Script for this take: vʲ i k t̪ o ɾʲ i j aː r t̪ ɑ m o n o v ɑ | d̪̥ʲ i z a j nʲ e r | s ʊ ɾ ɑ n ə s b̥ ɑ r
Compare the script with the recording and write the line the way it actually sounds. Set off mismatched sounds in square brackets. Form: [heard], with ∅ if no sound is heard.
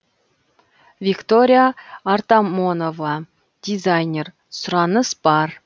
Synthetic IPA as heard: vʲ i k t̪ o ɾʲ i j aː r t̪ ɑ m o n o v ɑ | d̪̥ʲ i z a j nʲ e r | s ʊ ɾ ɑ n ə s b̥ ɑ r